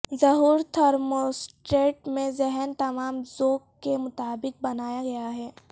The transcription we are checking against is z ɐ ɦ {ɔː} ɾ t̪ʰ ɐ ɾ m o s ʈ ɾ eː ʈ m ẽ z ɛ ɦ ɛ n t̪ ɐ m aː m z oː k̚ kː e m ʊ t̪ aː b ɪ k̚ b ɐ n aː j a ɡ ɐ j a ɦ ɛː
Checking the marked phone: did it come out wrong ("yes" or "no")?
yes